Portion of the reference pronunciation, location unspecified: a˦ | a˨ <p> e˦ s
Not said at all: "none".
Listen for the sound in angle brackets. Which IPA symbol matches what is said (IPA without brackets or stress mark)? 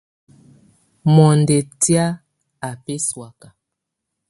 p